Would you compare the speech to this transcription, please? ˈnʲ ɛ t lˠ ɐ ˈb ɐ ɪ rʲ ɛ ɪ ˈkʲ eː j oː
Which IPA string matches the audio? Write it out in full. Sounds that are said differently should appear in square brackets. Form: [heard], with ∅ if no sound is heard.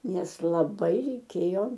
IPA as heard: ˈnʲ ɛ [s] lˠ ɐ ˈb ɐ ɪ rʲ ɛ ɪ ˈkʲ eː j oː